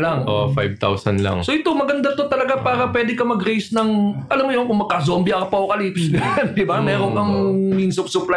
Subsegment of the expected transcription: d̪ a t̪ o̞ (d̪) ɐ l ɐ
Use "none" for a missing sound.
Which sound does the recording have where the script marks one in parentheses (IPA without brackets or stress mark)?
t̪